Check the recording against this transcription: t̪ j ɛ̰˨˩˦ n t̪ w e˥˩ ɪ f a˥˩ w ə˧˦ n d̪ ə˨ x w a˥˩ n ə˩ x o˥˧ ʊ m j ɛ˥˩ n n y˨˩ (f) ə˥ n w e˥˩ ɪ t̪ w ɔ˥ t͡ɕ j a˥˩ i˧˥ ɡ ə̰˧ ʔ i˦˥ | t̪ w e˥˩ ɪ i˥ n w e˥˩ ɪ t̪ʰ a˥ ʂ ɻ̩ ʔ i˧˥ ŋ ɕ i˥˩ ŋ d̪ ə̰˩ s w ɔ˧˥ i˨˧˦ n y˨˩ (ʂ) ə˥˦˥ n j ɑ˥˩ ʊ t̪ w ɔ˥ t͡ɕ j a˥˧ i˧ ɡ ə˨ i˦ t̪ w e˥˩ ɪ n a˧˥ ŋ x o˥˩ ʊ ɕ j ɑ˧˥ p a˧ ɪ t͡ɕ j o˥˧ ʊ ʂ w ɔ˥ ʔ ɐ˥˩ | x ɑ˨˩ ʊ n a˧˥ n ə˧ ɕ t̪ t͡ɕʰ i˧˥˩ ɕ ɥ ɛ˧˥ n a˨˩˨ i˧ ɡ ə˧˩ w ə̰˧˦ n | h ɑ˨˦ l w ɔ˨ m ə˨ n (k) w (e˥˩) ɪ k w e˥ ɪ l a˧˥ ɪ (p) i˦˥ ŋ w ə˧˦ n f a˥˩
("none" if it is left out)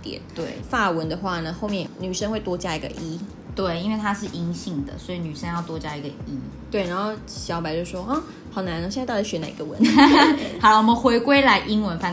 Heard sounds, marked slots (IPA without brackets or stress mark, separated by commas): ʂ, ʂ, x, e˧˥, ʔ